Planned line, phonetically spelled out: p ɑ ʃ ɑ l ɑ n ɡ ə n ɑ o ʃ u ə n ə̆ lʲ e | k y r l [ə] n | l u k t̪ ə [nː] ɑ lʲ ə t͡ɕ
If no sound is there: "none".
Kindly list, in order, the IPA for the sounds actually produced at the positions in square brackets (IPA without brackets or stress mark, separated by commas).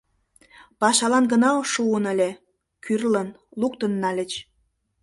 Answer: ə, nː